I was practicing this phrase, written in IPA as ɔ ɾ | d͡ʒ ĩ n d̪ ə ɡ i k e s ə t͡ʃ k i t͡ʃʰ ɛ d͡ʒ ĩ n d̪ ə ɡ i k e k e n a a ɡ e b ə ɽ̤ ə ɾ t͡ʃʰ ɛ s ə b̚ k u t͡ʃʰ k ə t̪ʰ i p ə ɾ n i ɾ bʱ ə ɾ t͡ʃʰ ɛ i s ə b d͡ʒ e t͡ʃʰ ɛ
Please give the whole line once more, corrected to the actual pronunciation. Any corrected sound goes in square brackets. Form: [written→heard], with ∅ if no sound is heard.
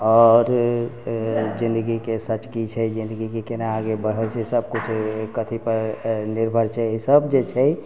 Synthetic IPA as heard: ɔ ɾ | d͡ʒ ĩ n d̪ ə ɡ i k e s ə t͡ʃ k i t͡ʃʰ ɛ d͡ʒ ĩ n d̪ ə ɡ i k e k e n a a ɡ e b ə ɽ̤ ə [ɾ→l] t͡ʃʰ ɛ s ə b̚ k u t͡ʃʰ k ə t̪ʰ i p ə ɾ n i ɾ bʱ ə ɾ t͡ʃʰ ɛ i s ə b d͡ʒ e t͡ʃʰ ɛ